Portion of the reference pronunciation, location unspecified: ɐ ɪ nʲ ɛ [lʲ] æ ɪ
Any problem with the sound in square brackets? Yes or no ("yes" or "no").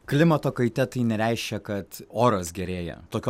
yes